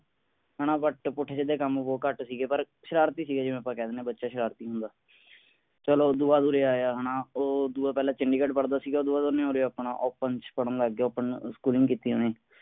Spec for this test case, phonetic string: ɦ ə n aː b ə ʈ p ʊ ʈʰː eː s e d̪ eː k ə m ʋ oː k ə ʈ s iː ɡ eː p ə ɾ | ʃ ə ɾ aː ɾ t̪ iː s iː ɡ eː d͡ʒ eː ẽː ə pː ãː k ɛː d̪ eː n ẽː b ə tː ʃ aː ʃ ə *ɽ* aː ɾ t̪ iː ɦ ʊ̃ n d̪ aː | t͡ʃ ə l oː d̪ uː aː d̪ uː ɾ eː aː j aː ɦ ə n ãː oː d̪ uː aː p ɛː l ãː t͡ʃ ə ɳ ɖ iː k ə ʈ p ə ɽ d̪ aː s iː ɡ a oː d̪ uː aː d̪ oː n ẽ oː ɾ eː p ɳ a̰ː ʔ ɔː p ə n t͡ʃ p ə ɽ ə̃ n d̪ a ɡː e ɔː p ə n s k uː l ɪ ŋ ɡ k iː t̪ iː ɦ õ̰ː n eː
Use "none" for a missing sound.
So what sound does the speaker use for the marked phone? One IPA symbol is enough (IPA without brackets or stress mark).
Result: ɾ